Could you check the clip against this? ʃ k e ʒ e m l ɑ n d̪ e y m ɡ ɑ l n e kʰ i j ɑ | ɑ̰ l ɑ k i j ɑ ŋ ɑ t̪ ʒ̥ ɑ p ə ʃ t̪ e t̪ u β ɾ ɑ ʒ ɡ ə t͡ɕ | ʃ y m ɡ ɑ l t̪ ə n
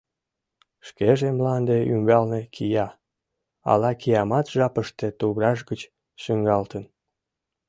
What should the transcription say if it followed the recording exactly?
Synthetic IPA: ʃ k e ʒ e m l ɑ n d̪ e y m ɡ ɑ l n e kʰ i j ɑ | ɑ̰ l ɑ k i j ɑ m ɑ t̪ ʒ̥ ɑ p ə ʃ t̪ e t̪ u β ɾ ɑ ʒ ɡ ə t͡ɕ | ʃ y ŋ ɡ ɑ l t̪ ə n